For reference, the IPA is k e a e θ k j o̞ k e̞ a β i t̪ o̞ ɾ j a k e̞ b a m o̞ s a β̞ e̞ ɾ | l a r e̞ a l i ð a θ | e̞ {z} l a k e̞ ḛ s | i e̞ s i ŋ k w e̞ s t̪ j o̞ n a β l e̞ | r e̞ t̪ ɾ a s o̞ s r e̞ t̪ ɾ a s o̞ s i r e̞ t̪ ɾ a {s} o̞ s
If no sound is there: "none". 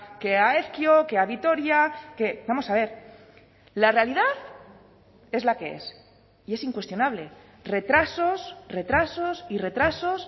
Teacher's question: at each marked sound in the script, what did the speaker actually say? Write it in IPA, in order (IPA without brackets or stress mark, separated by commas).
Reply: z, s